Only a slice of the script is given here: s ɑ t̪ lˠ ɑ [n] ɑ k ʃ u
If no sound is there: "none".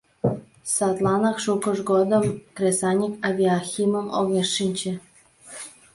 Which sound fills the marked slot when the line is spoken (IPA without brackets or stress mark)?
n